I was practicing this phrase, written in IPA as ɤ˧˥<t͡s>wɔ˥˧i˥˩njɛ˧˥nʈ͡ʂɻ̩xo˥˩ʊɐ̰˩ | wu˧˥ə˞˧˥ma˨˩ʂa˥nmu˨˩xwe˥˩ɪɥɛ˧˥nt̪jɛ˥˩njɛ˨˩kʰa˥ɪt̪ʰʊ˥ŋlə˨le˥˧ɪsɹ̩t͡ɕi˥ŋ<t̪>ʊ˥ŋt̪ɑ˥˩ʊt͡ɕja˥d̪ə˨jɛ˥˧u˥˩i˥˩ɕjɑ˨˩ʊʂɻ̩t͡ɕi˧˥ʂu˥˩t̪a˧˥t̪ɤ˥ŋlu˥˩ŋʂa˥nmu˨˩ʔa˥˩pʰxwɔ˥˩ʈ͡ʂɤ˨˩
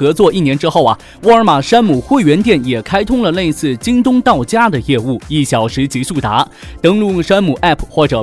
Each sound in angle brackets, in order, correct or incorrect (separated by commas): correct, correct